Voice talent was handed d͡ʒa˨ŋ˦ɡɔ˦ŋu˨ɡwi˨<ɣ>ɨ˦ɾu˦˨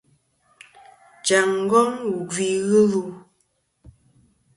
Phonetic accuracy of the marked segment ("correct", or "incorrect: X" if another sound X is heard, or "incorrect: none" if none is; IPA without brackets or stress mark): correct